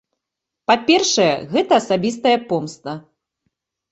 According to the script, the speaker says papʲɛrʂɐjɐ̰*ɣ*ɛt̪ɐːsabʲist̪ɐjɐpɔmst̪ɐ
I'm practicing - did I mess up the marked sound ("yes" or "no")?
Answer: no